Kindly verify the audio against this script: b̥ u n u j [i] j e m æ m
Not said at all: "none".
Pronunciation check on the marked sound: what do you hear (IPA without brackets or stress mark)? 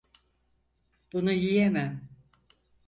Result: i